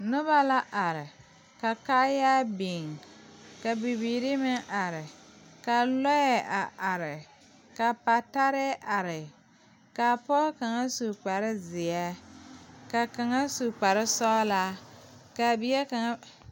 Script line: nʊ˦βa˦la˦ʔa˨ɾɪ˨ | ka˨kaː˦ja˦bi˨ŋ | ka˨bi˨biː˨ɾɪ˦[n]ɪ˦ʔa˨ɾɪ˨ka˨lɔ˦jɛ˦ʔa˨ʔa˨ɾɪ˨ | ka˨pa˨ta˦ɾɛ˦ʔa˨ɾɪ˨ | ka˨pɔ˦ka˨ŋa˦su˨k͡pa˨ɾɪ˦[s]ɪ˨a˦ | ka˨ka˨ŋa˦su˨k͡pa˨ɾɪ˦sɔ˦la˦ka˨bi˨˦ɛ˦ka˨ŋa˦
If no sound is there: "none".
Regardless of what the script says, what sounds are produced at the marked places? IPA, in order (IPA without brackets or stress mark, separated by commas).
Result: m, z